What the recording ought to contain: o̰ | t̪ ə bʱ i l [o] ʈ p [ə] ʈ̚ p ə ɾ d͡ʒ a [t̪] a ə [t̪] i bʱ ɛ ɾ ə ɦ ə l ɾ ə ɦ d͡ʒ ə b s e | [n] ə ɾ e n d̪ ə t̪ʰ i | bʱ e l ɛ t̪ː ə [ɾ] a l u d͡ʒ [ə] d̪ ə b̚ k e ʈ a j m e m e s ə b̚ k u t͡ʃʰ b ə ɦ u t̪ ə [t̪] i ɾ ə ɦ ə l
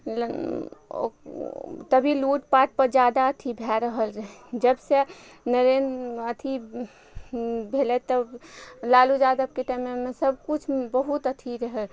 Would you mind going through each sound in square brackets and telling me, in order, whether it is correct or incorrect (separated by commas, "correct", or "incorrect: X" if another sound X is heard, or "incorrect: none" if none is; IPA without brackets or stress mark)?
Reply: incorrect: u, incorrect: a, incorrect: d̪, incorrect: t̪ʰ, correct, incorrect: l, incorrect: a, incorrect: t̪ʰ